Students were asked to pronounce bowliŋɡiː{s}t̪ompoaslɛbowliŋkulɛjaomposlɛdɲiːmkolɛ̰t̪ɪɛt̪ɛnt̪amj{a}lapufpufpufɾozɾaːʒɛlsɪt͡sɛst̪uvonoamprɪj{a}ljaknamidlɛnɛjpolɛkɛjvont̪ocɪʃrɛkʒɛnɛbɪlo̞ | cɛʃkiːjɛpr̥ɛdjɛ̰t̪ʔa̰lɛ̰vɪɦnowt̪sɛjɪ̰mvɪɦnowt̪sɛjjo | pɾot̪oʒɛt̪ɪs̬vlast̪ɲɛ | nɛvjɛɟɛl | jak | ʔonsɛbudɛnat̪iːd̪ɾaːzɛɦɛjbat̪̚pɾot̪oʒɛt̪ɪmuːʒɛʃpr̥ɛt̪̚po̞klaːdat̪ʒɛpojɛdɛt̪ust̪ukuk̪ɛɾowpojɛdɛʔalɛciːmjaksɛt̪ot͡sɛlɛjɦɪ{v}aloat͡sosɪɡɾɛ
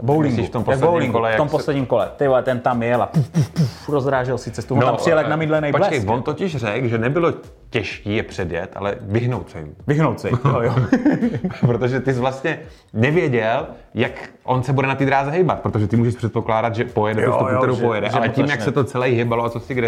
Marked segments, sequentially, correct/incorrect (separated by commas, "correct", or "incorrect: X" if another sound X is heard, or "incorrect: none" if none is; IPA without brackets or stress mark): incorrect: f, incorrect: ɛ, incorrect: ɛ, incorrect: b